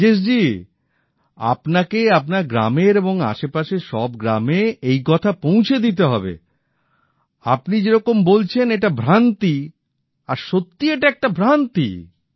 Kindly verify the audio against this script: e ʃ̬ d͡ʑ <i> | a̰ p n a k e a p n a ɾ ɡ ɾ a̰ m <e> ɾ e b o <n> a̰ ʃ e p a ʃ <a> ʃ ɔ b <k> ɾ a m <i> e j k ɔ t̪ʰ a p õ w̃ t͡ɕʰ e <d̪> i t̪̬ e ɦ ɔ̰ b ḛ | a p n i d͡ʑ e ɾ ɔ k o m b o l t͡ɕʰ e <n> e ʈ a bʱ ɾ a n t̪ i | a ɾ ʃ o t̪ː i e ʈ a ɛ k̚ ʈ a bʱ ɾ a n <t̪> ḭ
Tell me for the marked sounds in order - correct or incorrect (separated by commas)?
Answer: correct, correct, incorrect, incorrect, incorrect, incorrect, correct, correct, correct